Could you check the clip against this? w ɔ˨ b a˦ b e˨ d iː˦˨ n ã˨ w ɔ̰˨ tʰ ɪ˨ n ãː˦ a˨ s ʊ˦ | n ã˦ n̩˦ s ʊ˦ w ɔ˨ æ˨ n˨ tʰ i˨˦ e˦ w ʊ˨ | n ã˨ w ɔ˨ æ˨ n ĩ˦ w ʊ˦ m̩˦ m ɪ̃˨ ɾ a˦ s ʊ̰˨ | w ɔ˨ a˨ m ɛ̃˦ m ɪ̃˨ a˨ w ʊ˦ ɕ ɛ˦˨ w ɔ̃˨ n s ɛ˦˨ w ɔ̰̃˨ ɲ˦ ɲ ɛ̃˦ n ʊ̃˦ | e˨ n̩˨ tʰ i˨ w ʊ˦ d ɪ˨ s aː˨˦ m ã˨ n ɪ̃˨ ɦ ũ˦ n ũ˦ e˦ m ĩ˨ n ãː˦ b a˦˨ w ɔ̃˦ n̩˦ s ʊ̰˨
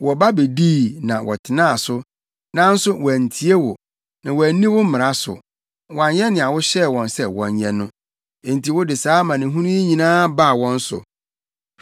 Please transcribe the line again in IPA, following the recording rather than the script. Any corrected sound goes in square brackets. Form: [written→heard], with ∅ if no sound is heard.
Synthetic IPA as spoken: w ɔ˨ b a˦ b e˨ d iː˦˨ n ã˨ w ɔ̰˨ tʰ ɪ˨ n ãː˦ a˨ s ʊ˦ | n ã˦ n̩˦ s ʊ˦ w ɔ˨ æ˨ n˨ tʰ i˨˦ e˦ w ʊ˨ | n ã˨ w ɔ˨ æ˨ n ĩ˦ w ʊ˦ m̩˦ m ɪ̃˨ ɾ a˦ s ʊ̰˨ | w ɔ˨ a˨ [m→ɲ] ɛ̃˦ [m→n] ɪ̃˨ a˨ w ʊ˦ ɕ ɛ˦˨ w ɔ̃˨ n s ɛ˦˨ w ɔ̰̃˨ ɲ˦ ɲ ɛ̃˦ n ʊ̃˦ | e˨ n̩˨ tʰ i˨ w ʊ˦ d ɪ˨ s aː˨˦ m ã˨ n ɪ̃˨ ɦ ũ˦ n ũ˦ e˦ [m→ɲ] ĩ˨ n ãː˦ b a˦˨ w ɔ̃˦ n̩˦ s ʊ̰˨